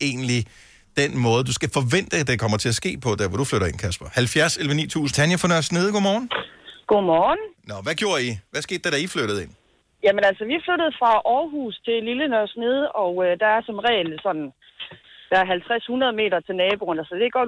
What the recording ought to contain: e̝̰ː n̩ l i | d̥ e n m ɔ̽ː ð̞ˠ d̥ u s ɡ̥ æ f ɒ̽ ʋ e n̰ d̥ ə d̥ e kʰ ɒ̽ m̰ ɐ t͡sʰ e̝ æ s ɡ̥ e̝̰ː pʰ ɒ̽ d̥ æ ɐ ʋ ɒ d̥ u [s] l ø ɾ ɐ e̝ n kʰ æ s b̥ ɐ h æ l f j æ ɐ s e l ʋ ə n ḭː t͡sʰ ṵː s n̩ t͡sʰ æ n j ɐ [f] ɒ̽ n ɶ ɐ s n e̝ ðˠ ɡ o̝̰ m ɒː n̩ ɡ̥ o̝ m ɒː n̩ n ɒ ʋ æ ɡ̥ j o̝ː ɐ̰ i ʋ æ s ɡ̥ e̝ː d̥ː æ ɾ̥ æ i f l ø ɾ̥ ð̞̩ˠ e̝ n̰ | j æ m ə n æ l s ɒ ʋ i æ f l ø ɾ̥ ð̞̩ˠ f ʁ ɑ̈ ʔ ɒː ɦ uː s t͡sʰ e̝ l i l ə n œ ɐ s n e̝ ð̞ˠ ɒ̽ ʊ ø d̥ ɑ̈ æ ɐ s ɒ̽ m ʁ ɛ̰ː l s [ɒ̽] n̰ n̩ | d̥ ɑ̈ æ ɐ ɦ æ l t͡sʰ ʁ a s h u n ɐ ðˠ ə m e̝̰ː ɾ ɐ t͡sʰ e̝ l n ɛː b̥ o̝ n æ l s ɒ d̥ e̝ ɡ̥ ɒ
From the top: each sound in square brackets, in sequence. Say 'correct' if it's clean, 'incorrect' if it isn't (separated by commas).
incorrect, correct, correct